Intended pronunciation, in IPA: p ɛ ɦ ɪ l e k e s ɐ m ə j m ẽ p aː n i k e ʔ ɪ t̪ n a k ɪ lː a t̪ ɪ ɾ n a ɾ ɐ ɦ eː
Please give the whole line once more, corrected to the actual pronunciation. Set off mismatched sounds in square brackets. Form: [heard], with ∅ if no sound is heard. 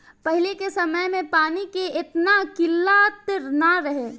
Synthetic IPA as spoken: p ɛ ɦ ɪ l e k e s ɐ m ə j m ẽ p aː n i k e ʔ ɪ t̪ n a k ɪ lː a t̪ ɪ ɾ n a ɾ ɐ ɦ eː